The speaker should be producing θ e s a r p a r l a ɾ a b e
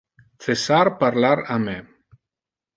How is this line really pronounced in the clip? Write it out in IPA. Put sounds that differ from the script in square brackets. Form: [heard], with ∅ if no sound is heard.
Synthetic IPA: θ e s a [ɾ] p a [ɾ] l a ɾ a [m] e